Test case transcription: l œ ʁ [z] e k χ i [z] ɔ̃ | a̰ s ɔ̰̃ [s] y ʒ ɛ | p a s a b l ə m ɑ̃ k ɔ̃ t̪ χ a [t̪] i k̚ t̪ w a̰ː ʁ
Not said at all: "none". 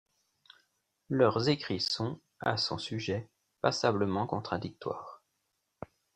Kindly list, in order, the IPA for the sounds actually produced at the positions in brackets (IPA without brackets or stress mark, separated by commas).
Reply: z, s, s, d̪